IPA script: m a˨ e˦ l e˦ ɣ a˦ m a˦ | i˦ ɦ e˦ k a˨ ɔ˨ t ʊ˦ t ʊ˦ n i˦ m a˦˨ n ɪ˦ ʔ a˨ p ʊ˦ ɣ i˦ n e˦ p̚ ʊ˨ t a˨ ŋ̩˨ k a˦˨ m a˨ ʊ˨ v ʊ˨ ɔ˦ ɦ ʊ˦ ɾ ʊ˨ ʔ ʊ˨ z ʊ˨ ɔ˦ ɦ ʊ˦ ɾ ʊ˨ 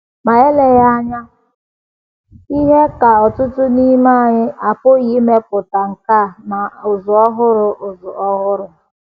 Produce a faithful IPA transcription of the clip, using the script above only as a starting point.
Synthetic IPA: m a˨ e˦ l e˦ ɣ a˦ ɲ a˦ | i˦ ɦ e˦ k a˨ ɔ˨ t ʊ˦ t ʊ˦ n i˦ m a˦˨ ɲ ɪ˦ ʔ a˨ p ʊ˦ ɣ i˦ m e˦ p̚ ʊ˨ t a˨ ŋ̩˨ k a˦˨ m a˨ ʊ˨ z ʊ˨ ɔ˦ ɦ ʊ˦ ɾ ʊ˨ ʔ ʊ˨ z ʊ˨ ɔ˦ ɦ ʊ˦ ɾ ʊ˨